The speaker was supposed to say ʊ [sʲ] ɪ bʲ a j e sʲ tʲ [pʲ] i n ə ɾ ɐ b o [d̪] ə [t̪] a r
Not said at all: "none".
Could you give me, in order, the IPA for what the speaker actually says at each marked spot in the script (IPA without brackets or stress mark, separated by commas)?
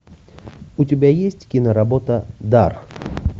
tʲ, kʲ, t̪, d̪